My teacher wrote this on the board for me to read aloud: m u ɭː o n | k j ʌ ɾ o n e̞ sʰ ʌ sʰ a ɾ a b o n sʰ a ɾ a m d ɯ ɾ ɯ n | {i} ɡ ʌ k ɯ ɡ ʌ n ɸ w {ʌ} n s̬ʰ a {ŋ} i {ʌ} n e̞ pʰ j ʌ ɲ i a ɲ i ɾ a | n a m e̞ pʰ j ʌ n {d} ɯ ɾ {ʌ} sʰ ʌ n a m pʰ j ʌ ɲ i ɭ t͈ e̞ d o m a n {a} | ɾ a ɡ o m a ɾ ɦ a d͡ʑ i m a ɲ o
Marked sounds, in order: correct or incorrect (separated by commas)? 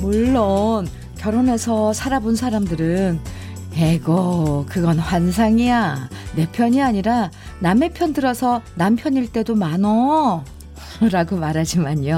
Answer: incorrect, incorrect, correct, incorrect, correct, correct, incorrect